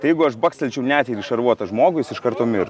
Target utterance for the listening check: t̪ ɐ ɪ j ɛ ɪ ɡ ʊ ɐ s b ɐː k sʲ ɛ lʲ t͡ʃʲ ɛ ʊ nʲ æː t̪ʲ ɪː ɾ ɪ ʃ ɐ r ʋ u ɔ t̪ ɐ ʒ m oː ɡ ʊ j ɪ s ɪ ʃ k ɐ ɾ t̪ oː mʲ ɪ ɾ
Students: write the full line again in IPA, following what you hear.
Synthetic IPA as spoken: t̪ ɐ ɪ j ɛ ɪ ɡ ʊ ɐ ʃ b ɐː k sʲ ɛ lʲ t͡ʃʲ ɛ ʊ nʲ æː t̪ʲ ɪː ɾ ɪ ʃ ɐ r ʋ u ɔ t̪ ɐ ʒ m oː ɡ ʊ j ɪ s ɪ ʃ k ɐ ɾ t̪ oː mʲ ɪ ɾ